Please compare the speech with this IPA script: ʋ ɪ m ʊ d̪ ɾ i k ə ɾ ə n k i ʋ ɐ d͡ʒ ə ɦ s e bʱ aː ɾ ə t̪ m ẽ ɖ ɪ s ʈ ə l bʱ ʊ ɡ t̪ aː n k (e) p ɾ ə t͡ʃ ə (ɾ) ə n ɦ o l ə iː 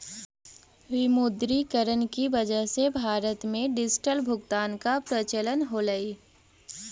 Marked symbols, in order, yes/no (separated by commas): no, no